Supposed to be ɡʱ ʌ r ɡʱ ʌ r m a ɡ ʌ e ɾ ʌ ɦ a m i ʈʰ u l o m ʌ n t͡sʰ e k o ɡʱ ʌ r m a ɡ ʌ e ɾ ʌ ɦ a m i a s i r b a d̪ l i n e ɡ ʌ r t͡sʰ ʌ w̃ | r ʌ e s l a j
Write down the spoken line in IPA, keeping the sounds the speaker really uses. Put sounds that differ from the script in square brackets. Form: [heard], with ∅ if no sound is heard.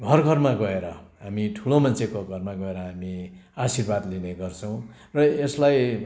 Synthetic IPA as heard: ɡʱ ʌ r ɡʱ ʌ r m a ɡ ʌ e ɾ ʌ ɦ a m i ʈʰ u l o m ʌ n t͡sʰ e k o ɡʱ ʌ r m a ɡ ʌ e ɾ ʌ ɦ a m i a s i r b a d̪ l i n e ɡ ʌ r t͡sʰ ʌ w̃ | r ʌ e s l a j